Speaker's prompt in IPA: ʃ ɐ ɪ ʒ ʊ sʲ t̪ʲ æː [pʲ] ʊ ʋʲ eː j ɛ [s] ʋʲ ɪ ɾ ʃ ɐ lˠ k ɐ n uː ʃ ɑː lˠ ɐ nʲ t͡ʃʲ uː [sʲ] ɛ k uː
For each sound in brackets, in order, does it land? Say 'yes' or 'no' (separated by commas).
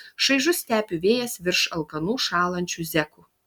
yes, yes, no